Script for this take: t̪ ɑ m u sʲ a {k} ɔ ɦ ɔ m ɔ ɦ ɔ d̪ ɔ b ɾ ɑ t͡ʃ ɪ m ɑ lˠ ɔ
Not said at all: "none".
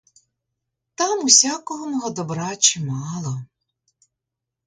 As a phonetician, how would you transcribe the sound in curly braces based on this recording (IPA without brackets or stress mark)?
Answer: k